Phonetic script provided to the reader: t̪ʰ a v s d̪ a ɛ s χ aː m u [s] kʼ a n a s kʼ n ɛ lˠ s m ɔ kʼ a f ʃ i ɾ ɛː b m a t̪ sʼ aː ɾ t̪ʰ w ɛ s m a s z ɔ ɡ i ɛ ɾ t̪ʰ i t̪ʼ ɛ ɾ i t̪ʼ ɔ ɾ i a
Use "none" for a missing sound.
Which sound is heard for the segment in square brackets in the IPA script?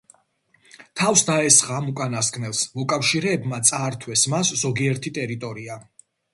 none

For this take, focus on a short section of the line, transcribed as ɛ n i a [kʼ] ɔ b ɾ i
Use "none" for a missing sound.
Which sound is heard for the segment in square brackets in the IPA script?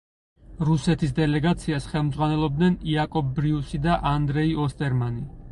kʼ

